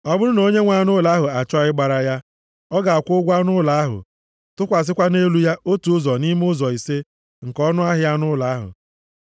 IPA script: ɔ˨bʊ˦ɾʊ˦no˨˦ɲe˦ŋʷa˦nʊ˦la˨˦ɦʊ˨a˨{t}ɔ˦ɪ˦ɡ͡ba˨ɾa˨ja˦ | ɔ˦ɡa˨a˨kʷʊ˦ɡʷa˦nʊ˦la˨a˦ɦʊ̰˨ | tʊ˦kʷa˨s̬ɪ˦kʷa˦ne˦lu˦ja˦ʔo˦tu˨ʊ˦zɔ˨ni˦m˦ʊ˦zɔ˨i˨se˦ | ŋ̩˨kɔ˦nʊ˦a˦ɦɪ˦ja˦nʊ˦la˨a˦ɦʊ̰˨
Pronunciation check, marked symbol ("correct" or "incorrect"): incorrect